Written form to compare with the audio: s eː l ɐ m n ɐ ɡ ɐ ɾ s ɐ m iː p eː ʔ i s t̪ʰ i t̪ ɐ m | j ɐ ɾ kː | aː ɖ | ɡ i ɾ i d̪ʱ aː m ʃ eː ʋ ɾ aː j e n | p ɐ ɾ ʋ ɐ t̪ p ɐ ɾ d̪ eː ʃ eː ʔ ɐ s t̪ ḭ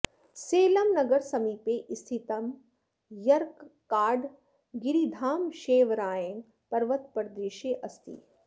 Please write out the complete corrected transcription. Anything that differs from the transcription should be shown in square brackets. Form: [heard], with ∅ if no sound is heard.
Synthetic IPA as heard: s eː l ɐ m n ɐ ɡ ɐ ɾ s ɐ m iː p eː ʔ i s t̪ʰ i t̪ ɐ m | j ɐ ɾ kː | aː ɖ | ɡ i ɾ i d̪ʱ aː m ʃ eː ʋ ɾ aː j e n | p ɐ ɾ ʋ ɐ t̪ p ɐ ɾ d̪ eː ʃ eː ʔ ɐ s t̪ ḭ